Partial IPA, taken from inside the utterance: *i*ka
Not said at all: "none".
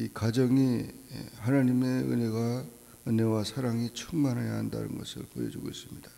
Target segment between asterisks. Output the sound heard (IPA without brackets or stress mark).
i